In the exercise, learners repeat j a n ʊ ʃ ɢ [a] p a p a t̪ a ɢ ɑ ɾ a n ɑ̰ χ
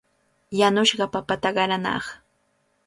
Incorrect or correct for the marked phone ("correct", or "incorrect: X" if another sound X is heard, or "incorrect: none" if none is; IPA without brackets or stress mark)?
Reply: incorrect: ɑ